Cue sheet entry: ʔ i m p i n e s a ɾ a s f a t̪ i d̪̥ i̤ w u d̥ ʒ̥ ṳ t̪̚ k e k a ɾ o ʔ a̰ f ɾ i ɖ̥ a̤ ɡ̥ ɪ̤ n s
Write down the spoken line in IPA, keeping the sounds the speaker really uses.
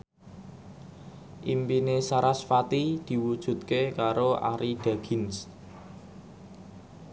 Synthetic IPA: ʔ i m p i n e s a ɾ a s f a t̪ i d̪̥ i̤ w u d̥ ʒ̥ ṳ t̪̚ k e k a ɾ o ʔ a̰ ɾ i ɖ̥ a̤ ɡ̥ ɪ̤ n s